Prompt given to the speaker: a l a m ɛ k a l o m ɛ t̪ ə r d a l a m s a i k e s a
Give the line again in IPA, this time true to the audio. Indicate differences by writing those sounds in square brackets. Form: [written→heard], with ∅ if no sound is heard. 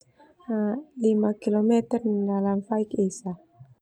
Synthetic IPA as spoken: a l [a→i] m [ɛ→a] k [a→i] l o m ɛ t̪ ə r d a l a m [s→f] a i k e s a